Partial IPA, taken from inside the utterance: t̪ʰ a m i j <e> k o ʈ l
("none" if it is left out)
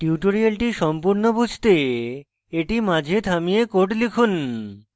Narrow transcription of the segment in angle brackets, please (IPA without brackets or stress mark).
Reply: e